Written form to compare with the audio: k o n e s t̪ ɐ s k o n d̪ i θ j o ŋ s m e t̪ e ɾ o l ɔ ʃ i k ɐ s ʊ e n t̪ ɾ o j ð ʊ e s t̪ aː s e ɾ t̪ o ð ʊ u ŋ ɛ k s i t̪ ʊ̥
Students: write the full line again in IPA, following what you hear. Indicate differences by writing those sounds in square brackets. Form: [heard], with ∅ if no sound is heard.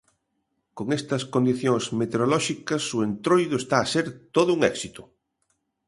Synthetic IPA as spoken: k o [ŋ] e s t̪ ɐ s k o n d̪ i θ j o ŋ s m e t̪ e ɾ o l ɔ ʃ i k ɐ s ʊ e n t̪ ɾ o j ð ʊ e s t̪ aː s e ɾ t̪ o ð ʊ u ŋ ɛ k s i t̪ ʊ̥